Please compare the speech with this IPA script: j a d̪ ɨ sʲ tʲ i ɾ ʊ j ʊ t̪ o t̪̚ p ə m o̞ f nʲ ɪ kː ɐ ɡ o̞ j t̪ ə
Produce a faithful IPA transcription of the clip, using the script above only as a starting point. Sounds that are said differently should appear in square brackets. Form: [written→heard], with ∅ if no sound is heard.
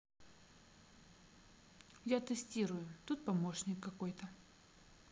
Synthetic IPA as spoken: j a [d̪→t̪] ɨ sʲ tʲ i ɾ ʊ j ʊ t̪ [o→u] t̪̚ p [ə→ɐ] m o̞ [f→ʂ] nʲ ɪ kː ɐ [ɡ→k] o̞ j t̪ ə